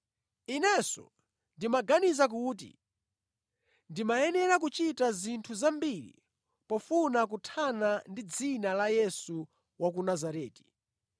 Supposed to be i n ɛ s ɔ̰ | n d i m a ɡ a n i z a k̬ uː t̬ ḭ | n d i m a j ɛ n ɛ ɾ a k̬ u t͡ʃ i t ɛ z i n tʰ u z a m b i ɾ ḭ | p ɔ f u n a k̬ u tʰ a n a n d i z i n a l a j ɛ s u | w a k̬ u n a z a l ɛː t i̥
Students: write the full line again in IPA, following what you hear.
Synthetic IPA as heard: i n ɛ s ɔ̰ | n d i m a ɡ a n i z a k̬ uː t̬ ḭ | n d i m a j ɛ n ɛ ɾ a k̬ u t͡ʃ i t a z i n tʰ u z a m b i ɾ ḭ | p ɔ f u n a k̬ u tʰ a n a n d i d͡z i n a l a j ɛ s u | w a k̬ u n a z a ɾ ɛː t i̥

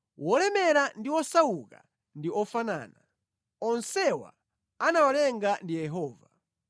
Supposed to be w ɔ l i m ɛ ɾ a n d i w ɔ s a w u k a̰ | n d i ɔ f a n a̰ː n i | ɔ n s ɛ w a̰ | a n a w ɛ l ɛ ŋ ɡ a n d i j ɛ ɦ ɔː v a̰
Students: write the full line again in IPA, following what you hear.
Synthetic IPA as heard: w ɔ l ɛ m ɛ ɾ a n d i w ɔ s a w u k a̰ | n d i ɔ f a n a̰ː n a | ɔ n s ɛ w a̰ | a n a w a l ɛ ŋ ɡ a n d i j ɛ ɦ ɔː v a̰

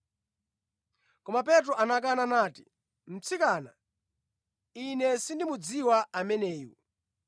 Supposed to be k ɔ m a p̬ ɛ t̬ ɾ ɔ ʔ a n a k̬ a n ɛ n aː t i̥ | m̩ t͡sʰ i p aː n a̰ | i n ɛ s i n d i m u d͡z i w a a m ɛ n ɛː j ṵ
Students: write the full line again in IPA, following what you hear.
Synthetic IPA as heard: k ɔ m a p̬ ɛ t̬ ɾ ɔ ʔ a n a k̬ a n a n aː t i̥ | m̩ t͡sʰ i k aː n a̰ | i n ɛ s i n d i m u d͡z i w a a m ɛ n ɛː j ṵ

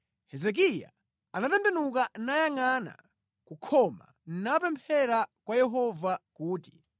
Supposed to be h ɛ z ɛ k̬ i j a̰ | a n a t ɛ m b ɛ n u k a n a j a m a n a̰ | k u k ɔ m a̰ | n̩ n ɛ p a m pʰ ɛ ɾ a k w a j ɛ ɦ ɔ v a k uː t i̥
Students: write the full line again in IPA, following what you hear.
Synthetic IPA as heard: h ɛ z ɛ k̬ i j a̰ | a n a t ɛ m b ɛ n u k a n a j a ŋ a n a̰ | k u kʰ ɔ m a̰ | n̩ n a p ɛ m pʰ ɛ ɾ a k w a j ɛ ɦ ɔ v a k uː t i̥

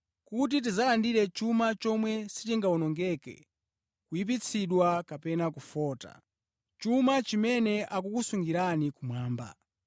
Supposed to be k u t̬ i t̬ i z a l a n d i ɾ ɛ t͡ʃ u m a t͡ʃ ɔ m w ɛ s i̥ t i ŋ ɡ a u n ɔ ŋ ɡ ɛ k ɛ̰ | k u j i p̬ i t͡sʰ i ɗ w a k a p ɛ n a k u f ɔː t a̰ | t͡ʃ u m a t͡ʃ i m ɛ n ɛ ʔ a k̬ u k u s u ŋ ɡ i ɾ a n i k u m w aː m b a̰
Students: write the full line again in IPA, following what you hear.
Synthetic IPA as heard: k u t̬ i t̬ i z a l a n d i ɾ ɛ t͡ʃ u m a t͡ʃ ɔ m w ɛ s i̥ t i ŋ ɡ a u n ɔ ŋ ɡ ɛ k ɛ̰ | k u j i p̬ i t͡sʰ i ɗ w a k a p ɛ n a k u f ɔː t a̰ | t͡ʃ u m a t͡ʃ i m ɛ n ɛ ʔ a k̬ u k u s u ŋ ɡ i ɾ a n i k u m w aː m b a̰

